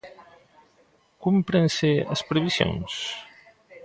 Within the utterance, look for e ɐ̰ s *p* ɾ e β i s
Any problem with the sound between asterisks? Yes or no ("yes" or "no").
no